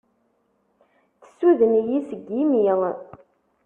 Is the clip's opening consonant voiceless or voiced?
voiceless